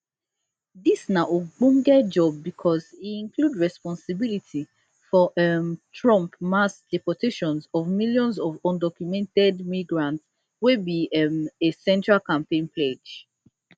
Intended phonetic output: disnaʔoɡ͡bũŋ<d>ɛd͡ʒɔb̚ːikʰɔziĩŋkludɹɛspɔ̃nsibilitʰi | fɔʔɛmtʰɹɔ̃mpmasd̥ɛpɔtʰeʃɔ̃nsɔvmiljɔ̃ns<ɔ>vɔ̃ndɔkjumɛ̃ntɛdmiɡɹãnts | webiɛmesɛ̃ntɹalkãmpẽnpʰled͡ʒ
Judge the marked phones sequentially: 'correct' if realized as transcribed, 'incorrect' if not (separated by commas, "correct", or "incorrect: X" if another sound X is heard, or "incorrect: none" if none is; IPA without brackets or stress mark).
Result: incorrect: ɡ, correct